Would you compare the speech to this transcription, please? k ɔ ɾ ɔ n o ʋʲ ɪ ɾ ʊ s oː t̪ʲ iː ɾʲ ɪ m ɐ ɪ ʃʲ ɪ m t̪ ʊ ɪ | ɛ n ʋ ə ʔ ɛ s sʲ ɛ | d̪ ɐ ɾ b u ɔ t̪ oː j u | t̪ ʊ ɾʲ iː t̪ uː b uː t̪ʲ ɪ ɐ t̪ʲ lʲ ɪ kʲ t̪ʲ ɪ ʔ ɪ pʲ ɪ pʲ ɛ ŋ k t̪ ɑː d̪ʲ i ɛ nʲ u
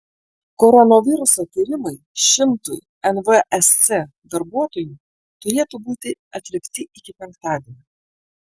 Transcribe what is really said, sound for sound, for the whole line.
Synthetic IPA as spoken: k ɔ ɾ ɔ n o ʋʲ ɪ ɾ ʊ s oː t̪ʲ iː ɾʲ ɪ m ɐ ɪ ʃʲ ɪ m t̪ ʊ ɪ | ɛ n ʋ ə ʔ ɛ s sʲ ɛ | d̪ ɐ ɾ b u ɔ t̪ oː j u | t̪ ʊ ɾʲ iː t̪ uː b uː t̪ʲ ɪ ɐ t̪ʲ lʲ ɪ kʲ t̪ʲ ɪ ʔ ɪ kʲ ɪ pʲ ɛ ŋ k t̪ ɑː d̪ʲ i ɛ nʲ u